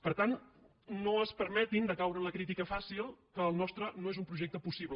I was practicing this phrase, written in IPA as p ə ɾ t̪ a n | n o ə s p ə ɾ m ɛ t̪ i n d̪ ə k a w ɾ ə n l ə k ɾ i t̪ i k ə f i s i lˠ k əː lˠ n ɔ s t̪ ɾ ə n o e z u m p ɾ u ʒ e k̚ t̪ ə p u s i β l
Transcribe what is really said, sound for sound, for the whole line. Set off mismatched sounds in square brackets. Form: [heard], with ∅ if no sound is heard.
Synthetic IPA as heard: p ə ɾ t̪ a n | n o ə s p ə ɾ m ɛ t̪ i n d̪ ə k a w ɾ ə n l ə k ɾ i t̪ i k ə f [a] s i lˠ k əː lˠ n ɔ s t̪ ɾ ə n o e z u m p ɾ u ʒ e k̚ t̪ ə p u s i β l